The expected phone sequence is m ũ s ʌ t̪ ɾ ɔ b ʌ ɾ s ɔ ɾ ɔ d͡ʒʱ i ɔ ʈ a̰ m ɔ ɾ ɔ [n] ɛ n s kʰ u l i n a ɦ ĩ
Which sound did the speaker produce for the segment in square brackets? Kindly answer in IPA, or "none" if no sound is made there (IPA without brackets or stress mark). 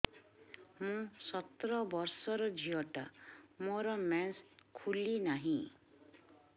m